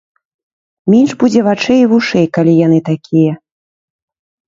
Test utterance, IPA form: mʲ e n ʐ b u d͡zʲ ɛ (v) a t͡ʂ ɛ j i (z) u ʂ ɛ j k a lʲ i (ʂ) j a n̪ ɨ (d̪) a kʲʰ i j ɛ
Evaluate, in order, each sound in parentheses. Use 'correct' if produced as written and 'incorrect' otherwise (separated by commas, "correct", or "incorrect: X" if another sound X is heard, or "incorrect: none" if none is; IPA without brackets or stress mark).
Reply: correct, incorrect: v, incorrect: none, incorrect: t̪